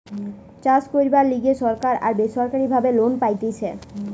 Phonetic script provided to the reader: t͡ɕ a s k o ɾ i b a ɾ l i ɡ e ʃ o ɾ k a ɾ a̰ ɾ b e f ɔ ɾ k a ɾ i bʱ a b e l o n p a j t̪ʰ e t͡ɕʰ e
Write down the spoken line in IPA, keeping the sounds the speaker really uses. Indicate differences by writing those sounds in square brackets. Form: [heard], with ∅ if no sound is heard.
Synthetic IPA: t͡ɕ a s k o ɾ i b a ɾ l i ɡ e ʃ [ɔ] ɾ k a ɾ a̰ ɾ b e [ʃ] ɔ ɾ k a ɾ i bʱ a b e l o n p a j [t̪] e t͡ɕʰ e

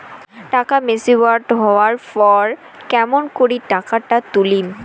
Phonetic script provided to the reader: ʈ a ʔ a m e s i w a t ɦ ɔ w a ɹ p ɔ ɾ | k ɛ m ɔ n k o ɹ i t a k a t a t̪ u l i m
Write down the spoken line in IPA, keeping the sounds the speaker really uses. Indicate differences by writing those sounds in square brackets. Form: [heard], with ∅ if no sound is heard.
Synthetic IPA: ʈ a [k] a m e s i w a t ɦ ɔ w a ɹ p ɔ [ɹ] | k ɛ m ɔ n k o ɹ i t a k a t a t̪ u l i m

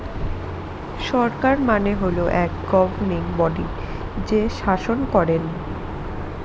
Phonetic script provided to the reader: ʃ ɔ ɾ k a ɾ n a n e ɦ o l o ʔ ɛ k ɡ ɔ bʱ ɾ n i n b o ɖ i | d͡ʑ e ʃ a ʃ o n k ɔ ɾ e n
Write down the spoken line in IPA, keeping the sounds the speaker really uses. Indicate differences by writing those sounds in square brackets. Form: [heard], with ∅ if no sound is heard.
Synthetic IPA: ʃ ɔ ɾ k a ɾ [m] a n e ɦ o l o ʔ ɛ k ɡ ɔ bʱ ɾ n i [ŋ] b [ɔ] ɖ i | d͡ʑ e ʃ a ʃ o n k ɔ ɾ e n

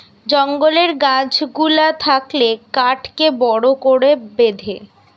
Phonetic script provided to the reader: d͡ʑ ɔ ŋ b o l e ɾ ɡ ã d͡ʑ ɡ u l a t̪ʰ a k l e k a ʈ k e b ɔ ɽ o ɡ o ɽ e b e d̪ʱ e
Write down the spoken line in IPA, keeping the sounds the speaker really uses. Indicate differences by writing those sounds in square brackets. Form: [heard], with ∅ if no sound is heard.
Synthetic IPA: d͡ʑ ɔ ŋ [ɡ] o l e ɾ ɡ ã d͡ʑ ɡ u l a t̪ʰ a k l e k a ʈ k e b ɔ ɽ o [k] o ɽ e b e d̪ʱ e

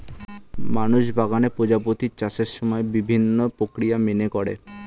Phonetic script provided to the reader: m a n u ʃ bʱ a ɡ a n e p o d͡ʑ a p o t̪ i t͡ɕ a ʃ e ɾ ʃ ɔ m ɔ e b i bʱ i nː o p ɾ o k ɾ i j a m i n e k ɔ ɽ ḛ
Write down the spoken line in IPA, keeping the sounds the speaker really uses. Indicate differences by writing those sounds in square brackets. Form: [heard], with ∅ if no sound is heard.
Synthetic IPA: m a n u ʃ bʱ a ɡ a n e p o d͡ʑ a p o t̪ i t͡ɕ a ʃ e ɾ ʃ ɔ m ɔ e b i bʱ i nː o p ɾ o k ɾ i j a m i n e k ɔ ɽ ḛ

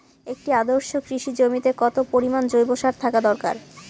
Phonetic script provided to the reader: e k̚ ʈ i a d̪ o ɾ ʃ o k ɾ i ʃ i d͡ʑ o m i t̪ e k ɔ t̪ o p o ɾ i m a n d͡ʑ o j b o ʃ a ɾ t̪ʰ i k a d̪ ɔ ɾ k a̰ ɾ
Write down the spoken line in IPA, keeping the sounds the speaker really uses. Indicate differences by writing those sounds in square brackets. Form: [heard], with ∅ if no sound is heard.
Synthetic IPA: e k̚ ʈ i a d̪ o ɾ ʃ o k ɾ i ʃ i d͡ʑ o m i t̪ e k ɔ t̪ o p o ɾ i m a n d͡ʑ o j b o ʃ a ɾ t̪ʰ [a] k a d̪ ɔ ɾ k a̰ ɾ

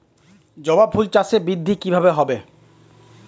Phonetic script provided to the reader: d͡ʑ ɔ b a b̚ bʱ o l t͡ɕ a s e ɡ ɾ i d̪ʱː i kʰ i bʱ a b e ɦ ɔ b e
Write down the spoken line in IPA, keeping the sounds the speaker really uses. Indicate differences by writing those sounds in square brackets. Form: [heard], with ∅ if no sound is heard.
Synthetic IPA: d͡ʑ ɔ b a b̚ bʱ [u] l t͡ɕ a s e [b] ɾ i d̪ʱː i [k] i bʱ a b e ɦ ɔ b e

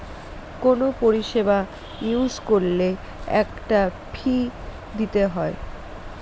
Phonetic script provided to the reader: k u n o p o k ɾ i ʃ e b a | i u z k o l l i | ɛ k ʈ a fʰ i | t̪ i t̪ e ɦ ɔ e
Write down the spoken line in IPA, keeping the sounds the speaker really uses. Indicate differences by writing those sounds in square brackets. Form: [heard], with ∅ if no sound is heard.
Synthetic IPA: k [o] n o p o [∅] ɾ i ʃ e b a | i u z k o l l [e] | ɛ k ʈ a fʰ i | [d̪] i t̪ e ɦ ɔ e

